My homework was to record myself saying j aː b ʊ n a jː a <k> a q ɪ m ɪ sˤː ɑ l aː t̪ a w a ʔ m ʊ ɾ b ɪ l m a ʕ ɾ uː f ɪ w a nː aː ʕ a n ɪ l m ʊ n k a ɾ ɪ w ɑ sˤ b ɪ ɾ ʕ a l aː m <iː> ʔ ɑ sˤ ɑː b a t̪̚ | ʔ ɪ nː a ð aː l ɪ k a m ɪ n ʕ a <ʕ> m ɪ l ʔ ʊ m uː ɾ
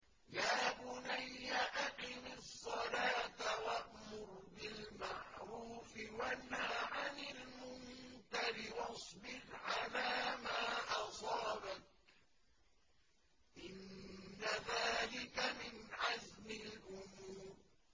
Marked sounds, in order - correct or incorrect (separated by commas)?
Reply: incorrect, incorrect, incorrect